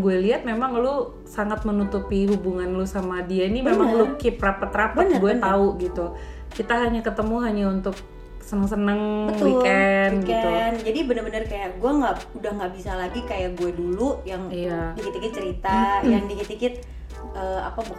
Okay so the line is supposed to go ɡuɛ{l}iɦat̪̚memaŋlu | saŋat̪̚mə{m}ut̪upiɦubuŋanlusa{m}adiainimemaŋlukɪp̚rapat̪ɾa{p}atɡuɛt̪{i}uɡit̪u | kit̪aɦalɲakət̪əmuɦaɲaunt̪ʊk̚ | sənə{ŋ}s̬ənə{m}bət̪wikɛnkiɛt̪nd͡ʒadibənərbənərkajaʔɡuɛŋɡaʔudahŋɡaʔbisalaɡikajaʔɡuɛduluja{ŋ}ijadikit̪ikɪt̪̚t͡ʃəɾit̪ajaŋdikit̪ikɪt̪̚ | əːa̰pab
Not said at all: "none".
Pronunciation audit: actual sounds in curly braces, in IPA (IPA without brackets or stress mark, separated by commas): l, n, m, p, a, ŋ, ŋ, ŋ